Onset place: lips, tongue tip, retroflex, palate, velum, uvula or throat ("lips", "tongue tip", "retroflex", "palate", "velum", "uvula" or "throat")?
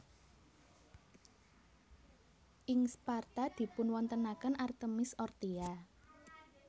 throat